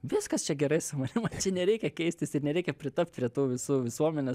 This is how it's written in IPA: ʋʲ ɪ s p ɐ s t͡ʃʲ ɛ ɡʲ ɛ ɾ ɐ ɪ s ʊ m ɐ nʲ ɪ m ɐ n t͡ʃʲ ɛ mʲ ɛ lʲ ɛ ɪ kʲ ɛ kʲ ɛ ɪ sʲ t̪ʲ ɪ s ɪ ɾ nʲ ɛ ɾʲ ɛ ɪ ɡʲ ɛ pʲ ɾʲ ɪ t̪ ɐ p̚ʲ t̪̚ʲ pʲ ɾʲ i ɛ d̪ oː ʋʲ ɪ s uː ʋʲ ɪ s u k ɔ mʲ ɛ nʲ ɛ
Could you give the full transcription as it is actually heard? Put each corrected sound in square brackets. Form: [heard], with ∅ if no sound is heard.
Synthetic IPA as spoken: ʋʲ ɪ s [k] ɐ s t͡ʃʲ ɛ ɡʲ ɛ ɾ ɐ ɪ s ʊ m ɐ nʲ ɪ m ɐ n t͡ʃʲ ɛ [nʲ] ɛ [ɾʲ] ɛ ɪ kʲ ɛ kʲ ɛ ɪ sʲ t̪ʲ ɪ s ɪ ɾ nʲ ɛ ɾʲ ɛ ɪ [kʲ] ɛ pʲ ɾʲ ɪ t̪ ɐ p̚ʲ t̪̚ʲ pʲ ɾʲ i ɛ [t̪] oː ʋʲ ɪ s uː ʋʲ ɪ s u [∅] ɔ mʲ ɛ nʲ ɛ